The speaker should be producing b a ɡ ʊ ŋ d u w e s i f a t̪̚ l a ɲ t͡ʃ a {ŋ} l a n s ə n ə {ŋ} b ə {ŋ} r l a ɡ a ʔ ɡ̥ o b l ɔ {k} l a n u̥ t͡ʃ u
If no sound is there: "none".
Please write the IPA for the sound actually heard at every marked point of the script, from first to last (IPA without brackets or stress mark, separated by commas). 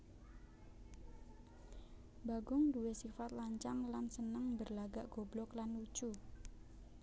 ŋ, ŋ, none, k